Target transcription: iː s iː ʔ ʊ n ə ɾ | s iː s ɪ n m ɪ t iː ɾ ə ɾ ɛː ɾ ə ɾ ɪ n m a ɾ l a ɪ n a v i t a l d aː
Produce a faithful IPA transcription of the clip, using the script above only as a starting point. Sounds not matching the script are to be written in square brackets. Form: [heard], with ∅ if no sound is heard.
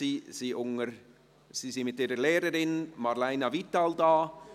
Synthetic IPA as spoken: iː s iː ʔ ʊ [ŋ] ə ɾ | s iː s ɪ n m ɪ t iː ɾ ə [l] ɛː ɾ ə ɾ ɪ n m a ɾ l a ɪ n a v i t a l d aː